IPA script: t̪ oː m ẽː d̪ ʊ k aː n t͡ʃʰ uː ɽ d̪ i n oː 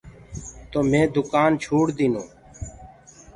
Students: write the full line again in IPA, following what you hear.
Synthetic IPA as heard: t̪ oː m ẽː d̪ ʊ k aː n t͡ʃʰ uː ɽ d̪ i n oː